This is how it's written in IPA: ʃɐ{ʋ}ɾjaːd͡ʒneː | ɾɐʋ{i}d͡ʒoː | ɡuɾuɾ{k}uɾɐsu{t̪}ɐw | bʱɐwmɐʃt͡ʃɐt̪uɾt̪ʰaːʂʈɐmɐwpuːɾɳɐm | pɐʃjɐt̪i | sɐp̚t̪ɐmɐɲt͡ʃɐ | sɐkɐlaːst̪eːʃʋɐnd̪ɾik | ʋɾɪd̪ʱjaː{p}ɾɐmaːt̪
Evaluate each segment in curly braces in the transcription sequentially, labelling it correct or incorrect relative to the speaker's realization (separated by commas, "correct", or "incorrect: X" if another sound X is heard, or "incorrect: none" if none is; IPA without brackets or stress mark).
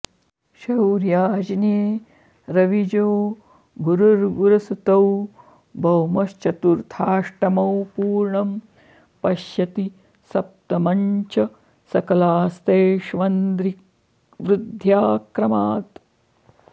incorrect: w, correct, incorrect: ɡ, correct, incorrect: k